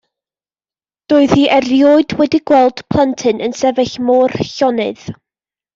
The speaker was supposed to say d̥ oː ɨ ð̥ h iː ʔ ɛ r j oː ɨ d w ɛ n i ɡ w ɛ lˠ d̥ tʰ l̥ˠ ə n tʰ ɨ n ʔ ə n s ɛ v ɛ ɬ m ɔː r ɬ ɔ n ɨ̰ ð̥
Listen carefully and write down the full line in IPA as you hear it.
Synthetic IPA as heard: d̥ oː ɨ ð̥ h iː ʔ ɛ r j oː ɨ d w ɛ d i ɡ w ɛ lˠ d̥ pʰ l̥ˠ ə n tʰ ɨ n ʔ ə n s ɛ v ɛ ɬ m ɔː r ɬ ɔ n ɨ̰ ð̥